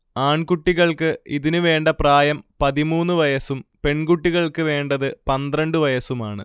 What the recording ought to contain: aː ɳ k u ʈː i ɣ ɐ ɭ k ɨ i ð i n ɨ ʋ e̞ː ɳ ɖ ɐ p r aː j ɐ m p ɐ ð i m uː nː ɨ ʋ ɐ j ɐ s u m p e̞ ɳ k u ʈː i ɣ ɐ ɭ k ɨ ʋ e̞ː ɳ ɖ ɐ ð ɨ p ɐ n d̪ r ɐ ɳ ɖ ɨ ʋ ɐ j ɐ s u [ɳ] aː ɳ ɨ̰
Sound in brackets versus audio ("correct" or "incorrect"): incorrect